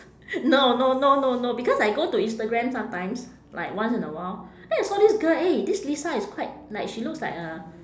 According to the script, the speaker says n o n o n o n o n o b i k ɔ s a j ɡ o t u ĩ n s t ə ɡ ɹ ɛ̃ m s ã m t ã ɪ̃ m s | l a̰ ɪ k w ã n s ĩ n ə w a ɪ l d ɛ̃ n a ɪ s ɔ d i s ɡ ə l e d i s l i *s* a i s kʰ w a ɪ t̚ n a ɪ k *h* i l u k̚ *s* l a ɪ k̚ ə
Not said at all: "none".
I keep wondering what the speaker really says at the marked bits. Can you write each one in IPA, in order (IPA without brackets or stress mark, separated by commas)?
s, ʃ, s